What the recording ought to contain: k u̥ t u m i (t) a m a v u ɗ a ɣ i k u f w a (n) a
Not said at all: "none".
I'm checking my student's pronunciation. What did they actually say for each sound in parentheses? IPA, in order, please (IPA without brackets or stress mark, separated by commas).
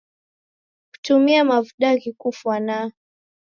none, n